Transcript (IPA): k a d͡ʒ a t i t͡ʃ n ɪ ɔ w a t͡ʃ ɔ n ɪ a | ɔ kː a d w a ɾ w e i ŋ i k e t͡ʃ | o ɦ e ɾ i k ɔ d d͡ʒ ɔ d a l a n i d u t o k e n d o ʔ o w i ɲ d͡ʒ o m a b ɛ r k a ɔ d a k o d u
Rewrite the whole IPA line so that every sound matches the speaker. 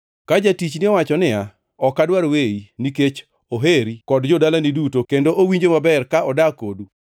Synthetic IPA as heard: k a d͡ʒ a t i t͡ʃ n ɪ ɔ w a t͡ʃ ɔ n ɪ a | ɔ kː a d w a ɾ w e i n i k e t͡ʃ | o ɦ e ɾ i k ɔ d d͡ʒ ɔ d a l a n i d u t o k e n d o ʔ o w i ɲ d͡ʒ o m a b ɛ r k a ɔ d a k o d u